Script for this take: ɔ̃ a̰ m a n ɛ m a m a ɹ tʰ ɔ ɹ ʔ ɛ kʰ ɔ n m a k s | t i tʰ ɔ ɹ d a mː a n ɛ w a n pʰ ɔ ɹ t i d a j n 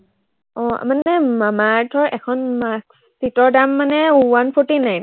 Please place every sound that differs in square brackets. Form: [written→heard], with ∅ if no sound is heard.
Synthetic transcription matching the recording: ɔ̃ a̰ m a n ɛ m a m a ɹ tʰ ɔ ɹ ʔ ɛ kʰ ɔ n m a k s | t i [tʰ→t] ɔ ɹ d a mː a n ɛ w a n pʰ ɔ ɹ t i [d→n] a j n